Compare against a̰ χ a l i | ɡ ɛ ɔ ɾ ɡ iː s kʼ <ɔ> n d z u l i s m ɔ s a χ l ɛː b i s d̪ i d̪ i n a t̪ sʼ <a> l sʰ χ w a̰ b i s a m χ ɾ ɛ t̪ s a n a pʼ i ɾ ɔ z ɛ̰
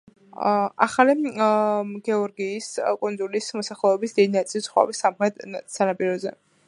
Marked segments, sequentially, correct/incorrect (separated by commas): incorrect, incorrect